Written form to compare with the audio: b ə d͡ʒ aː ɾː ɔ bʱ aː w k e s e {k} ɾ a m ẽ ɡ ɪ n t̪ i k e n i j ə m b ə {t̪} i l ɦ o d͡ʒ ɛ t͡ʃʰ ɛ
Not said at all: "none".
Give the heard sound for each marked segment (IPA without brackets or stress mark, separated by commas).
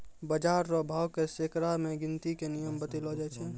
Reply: k, t̪